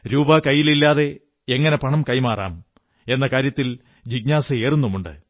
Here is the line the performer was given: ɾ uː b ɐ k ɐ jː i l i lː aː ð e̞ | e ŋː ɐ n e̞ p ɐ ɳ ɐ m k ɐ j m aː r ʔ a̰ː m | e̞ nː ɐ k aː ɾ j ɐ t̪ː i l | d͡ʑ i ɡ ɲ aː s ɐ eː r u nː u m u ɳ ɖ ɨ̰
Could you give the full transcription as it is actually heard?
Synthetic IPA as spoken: ɾ uː b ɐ k ɐ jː i l i lː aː ð e̞ | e ŋː ɐ n e̞ p ɐ ɳ ɐ m k ɐ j m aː r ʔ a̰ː m | e̞ nː ɐ k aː ɾ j ɐ t̪ː i l | d͡ʑ i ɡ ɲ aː s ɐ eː r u nː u m u ɳ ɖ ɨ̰